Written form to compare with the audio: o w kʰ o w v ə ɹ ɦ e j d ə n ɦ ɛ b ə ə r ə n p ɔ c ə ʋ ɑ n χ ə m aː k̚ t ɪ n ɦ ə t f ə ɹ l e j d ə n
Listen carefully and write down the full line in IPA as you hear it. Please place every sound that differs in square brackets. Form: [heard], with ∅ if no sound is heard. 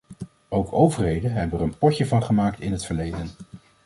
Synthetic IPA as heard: o w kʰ o w v ə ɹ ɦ e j d ə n ɦ ɛ b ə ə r ə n p ɔ c ə [v] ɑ n χ ə m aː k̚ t ɪ n ɦ ə t f ə ɹ l e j d ə n